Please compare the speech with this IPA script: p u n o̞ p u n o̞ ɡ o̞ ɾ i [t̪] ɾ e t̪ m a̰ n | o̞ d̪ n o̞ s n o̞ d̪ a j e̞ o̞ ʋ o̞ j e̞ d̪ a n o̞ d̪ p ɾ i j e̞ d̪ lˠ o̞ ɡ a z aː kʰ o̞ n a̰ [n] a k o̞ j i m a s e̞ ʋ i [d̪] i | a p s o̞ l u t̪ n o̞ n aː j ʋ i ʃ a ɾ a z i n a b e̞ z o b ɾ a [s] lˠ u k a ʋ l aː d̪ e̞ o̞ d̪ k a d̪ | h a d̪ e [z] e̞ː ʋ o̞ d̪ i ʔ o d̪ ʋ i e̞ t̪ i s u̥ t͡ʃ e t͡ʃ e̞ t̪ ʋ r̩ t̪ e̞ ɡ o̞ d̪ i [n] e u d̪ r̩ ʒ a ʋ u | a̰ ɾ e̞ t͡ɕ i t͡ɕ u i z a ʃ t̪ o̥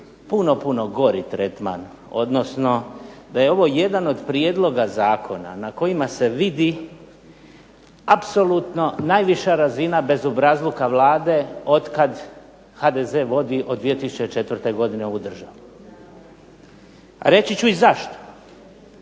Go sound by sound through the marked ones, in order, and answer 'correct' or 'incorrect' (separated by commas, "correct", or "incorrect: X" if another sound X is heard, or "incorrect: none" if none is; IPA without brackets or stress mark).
correct, correct, correct, incorrect: z, correct, correct